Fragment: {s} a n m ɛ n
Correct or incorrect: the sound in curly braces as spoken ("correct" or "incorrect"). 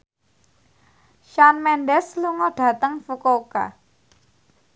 incorrect